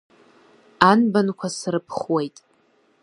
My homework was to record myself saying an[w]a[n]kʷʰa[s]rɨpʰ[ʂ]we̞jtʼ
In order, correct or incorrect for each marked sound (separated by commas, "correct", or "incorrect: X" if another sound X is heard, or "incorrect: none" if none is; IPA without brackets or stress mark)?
incorrect: b, correct, correct, incorrect: χ